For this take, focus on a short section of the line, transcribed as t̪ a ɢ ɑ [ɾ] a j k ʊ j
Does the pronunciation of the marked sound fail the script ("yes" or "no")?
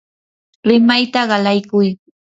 yes